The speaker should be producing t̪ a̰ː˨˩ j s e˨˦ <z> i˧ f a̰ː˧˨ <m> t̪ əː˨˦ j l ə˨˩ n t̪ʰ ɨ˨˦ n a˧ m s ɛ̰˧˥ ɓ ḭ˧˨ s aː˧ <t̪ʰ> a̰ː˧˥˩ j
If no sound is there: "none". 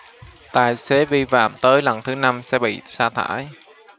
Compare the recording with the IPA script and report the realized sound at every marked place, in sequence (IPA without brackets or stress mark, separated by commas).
v, m, t̪ʰ